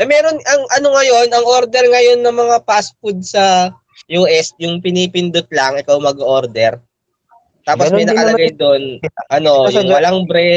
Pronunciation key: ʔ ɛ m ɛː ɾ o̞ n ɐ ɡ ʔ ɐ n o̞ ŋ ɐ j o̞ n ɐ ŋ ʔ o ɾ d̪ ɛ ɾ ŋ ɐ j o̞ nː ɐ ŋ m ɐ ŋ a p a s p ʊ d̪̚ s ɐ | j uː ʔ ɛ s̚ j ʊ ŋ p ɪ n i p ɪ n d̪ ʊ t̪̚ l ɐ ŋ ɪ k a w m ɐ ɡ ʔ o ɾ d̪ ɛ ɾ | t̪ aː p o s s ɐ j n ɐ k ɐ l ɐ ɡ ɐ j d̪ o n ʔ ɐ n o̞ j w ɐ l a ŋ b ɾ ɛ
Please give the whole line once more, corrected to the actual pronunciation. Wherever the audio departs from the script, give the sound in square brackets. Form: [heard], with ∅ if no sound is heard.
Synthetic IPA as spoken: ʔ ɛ m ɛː ɾ o̞ n ɐ [ŋ] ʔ ɐ n o̞ ŋ ɐ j o̞ n ɐ ŋ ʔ o ɾ d̪ ɛ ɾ ŋ ɐ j o̞ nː ɐ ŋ m ɐ ŋ a p a s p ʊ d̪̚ s ɐ | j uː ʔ ɛ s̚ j ʊ ŋ p ɪ n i p ɪ n d̪ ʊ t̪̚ l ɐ ŋ ɪ k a w m ɐ ɡ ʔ o ɾ d̪ ɛ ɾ | t̪ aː p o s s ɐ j n ɐ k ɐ l ɐ ɡ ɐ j d̪ o n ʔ ɐ n o̞ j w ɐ l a ŋ b ɾ ɛ